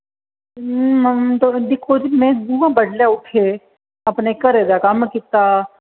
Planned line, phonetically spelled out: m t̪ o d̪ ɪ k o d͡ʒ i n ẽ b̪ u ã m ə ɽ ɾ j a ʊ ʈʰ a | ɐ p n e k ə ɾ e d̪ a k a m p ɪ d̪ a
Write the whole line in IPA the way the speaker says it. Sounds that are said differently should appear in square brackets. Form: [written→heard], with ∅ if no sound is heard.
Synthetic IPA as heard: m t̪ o d̪ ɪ [k→kʰ] o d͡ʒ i [n→m] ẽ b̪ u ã [m→b] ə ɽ [ɾ→l] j a ʊ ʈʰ [a→e] | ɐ p n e k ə ɾ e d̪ a k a m [p→k] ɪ [d̪→t̪] a